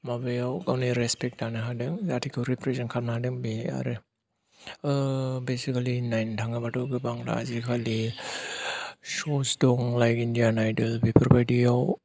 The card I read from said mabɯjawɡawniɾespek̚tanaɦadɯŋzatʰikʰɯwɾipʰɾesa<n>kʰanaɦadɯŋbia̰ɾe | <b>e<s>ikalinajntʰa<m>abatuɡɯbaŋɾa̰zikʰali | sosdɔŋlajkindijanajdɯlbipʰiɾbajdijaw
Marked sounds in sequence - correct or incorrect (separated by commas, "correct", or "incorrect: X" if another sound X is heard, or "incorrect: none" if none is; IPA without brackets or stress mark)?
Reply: correct, correct, correct, incorrect: ŋ